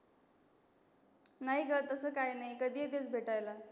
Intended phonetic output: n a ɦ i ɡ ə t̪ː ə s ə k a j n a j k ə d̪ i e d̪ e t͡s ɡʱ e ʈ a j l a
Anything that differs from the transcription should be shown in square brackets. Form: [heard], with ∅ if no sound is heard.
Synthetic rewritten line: n a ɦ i ɡ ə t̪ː ə s ə k a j n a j k ə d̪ i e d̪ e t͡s [bʱ] e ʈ a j l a